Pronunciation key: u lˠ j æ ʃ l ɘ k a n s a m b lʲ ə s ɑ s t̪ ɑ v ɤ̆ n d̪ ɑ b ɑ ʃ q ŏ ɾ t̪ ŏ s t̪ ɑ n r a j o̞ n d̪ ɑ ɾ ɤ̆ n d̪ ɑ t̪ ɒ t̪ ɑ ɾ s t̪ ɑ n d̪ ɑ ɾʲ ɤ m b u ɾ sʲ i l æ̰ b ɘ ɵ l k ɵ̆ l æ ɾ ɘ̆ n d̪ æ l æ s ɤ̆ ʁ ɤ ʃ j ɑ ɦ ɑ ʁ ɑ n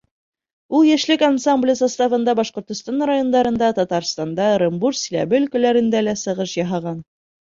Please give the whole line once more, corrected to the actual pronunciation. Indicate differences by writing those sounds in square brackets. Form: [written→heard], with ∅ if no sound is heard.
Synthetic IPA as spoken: u lˠ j æ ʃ l ɘ k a n s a m b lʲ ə s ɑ s t̪ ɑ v ɤ̆ n d̪ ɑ b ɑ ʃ q ŏ ɾ t̪ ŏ s t̪ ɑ n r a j o̞ n d̪ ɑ ɾ ɤ̆ n d̪ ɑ t̪ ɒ t̪ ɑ ɾ s t̪ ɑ n d̪ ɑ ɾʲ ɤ m b u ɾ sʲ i l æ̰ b ɘ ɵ l k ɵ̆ l æ ɾ ɘ̆ n d̪ æ l æ s ɤ̆ ʁ ɤ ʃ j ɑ ɦ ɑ ʁ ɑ n